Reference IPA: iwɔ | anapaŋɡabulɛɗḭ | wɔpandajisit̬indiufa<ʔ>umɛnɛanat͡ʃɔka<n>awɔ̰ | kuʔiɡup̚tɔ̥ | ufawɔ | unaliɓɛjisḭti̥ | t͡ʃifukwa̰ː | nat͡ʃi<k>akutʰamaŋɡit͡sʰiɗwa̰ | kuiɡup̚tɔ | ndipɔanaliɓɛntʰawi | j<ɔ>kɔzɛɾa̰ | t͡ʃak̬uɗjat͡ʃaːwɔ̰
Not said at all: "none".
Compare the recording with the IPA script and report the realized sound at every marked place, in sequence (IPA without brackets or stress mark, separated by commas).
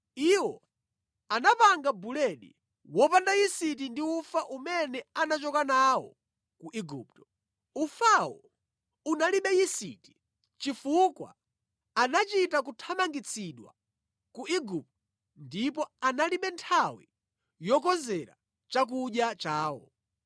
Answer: ʔ, n, t, ɔ